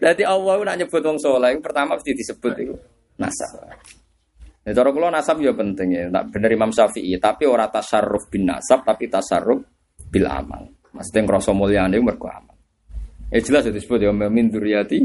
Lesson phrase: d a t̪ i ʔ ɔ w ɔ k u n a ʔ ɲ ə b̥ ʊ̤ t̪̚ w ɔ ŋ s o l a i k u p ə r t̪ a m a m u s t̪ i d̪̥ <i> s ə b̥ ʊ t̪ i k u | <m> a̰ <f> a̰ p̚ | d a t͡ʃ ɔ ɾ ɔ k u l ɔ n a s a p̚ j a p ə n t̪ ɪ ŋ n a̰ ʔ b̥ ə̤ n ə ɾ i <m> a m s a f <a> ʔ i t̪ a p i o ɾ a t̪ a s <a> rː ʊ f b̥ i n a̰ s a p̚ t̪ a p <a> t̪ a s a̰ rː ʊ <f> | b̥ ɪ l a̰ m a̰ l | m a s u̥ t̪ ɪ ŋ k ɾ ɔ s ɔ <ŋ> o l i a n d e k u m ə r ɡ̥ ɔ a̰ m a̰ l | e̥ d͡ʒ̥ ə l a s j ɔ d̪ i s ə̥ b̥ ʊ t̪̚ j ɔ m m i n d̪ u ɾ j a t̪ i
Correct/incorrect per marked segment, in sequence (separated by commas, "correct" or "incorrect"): correct, incorrect, incorrect, correct, incorrect, correct, incorrect, correct, incorrect